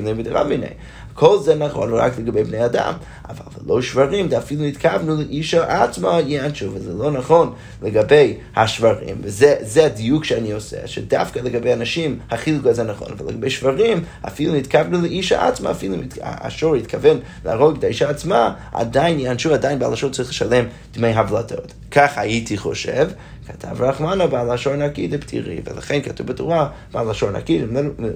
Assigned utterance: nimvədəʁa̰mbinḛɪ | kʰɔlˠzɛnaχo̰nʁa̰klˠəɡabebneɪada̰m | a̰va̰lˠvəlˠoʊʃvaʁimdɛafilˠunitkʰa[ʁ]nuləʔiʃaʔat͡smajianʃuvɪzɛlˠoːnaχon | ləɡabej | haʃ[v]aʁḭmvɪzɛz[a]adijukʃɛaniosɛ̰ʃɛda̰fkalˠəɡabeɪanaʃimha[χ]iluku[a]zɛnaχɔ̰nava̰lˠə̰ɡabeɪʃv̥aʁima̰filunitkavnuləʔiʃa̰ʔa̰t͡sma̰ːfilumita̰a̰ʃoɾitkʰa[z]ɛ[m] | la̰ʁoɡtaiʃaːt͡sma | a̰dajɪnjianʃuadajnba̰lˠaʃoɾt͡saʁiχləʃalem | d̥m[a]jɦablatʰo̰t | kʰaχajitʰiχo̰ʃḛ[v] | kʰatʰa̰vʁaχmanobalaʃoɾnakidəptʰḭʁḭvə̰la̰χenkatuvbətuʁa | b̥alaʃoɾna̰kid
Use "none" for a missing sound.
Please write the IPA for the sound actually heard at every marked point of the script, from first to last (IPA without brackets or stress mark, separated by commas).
v, v, ɛ, χ, a, v, n, e, v